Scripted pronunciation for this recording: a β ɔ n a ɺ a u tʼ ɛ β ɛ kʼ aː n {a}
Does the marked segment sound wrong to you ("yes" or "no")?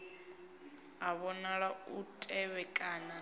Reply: no